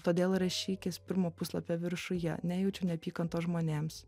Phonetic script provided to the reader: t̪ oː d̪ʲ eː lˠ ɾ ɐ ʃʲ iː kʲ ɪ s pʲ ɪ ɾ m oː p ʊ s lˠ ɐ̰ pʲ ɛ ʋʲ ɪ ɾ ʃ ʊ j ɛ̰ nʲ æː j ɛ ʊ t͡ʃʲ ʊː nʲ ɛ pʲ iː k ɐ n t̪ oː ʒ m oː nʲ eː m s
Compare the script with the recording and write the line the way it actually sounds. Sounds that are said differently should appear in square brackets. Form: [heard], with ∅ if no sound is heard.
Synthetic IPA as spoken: t̪ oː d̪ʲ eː lˠ ɾ ɐ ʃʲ iː kʲ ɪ s pʲ ɪ ɾ m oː p ʊ s lˠ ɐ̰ pʲ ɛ ʋʲ ɪ ɾ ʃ ʊ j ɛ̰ nʲ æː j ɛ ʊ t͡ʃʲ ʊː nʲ ɛ pʲ iː k ɐ n t̪ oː ʒ m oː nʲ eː m s